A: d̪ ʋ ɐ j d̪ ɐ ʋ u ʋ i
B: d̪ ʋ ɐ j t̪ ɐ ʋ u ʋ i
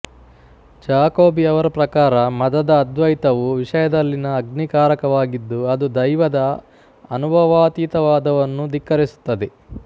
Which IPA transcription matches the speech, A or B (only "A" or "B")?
B